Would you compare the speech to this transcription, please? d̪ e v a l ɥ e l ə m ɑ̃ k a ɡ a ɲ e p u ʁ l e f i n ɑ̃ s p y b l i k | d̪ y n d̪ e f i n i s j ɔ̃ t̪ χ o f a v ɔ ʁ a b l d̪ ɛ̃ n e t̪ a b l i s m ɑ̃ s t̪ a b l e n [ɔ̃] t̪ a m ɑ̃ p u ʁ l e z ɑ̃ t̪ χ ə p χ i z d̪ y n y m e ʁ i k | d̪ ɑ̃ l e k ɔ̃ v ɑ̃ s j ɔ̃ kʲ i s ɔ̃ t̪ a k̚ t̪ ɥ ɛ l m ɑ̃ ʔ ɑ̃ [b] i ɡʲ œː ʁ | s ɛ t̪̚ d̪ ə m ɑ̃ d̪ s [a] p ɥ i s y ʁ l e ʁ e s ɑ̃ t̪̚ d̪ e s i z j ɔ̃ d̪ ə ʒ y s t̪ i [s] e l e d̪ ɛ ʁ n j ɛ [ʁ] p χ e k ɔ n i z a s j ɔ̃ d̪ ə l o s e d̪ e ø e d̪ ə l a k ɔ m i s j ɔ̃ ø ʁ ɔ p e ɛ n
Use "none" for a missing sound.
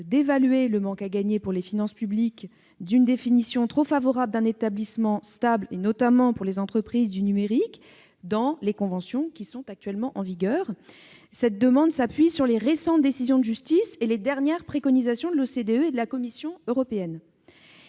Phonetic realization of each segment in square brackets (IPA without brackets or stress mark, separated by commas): ɔ, v, a, s, ʁ